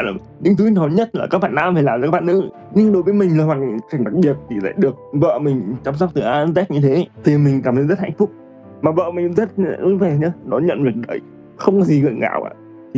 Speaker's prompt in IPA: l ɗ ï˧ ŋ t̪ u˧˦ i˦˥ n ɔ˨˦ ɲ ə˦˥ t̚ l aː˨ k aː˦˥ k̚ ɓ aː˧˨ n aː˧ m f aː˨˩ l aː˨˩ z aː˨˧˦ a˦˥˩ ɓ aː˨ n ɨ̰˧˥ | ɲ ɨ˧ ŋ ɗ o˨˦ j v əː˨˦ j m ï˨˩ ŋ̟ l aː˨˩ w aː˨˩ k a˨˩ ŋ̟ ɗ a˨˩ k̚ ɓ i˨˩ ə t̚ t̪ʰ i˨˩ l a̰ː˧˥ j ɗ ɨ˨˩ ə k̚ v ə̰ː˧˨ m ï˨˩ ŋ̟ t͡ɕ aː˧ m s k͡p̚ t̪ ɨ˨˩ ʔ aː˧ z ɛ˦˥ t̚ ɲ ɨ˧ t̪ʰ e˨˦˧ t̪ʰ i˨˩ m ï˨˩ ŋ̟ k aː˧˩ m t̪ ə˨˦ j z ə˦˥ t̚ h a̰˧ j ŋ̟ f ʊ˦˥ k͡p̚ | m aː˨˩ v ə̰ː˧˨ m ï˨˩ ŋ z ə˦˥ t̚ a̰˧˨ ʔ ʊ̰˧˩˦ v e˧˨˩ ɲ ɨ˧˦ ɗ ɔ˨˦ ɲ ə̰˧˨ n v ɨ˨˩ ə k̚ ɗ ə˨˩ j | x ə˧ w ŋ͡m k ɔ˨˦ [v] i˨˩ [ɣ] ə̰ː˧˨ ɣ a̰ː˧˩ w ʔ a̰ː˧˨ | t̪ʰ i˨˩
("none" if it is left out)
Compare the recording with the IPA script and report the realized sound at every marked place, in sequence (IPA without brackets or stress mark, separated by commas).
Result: z, ɣ